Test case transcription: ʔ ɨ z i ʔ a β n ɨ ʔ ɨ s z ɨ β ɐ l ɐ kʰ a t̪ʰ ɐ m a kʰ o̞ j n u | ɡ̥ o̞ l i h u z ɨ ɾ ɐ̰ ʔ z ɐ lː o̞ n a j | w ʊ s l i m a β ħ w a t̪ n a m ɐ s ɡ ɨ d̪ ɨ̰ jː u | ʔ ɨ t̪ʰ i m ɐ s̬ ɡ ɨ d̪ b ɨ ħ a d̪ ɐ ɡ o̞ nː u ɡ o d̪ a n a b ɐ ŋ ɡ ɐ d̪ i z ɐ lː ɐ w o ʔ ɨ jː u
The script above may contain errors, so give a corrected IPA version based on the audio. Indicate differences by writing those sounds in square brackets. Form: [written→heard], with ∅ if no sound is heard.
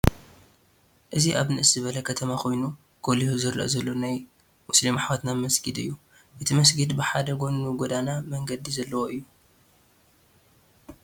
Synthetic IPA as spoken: ʔ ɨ z i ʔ a β n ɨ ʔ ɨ s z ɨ β ɐ l ɐ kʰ [a→ɐ] t̪ʰ ɐ m a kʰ o̞ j n u | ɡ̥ o̞ l i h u z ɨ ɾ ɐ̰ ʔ z ɐ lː o̞ n a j | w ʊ s l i m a [β→∅] ħ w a t̪ n a m ɐ s ɡ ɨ d̪ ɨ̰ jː u | ʔ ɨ t̪ʰ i m ɐ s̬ ɡ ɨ d̪ b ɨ ħ a d̪ ɐ ɡ o̞ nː u ɡ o d̪ a n a [b→m] ɐ ŋ ɡ ɐ d̪ i z ɐ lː ɐ w o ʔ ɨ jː u